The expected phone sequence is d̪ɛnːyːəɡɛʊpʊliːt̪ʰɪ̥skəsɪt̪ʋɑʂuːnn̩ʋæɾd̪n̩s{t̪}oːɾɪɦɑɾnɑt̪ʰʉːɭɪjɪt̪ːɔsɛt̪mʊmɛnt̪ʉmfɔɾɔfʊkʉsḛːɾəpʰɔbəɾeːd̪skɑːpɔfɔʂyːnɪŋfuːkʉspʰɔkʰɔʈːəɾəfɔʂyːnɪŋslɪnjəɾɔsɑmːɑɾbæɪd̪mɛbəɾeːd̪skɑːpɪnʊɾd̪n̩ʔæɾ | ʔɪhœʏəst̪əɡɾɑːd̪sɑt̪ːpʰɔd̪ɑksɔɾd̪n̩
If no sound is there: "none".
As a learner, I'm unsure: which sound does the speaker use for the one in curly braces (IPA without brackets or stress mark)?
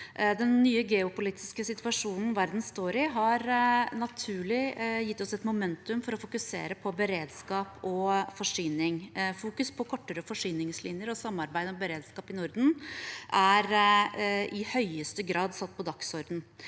t̪